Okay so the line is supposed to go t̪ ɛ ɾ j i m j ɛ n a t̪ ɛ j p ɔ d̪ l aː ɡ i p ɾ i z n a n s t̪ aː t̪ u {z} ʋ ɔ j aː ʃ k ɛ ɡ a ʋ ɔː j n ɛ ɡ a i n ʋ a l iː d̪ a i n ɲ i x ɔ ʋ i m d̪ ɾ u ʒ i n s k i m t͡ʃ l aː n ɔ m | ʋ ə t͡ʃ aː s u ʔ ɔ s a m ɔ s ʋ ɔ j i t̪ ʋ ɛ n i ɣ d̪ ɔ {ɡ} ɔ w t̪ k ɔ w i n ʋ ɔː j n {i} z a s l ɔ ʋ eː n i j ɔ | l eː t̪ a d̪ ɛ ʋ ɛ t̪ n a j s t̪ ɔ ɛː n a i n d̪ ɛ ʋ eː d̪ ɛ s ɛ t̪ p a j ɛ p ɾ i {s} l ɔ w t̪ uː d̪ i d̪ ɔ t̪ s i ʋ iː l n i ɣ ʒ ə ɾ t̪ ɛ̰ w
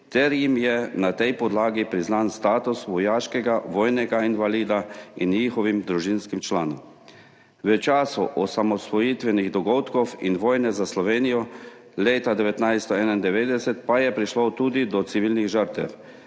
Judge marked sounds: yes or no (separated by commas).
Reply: no, yes, no, no